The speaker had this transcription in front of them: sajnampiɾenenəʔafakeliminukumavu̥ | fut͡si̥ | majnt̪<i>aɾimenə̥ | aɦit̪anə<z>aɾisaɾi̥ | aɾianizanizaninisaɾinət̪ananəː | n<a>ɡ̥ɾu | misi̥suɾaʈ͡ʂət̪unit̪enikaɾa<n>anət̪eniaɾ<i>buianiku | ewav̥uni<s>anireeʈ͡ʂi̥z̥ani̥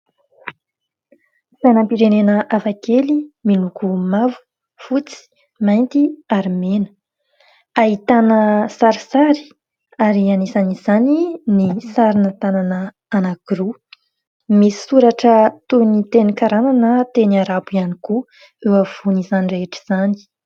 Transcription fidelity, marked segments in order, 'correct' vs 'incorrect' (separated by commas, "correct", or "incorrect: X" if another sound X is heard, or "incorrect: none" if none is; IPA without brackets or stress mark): correct, incorrect: s, correct, correct, incorrect: a, incorrect: z